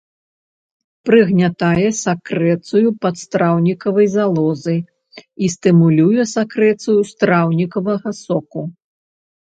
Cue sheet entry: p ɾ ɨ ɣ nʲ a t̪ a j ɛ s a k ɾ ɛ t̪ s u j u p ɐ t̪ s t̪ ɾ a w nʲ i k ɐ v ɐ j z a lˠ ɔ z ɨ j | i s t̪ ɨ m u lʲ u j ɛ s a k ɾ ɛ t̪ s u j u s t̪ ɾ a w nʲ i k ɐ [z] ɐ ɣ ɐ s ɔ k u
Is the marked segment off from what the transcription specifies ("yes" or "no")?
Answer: yes